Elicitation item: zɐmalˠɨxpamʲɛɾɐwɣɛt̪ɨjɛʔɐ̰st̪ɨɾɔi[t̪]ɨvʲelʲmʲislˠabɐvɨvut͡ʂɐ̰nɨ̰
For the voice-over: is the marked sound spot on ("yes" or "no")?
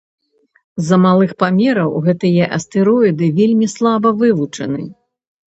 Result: no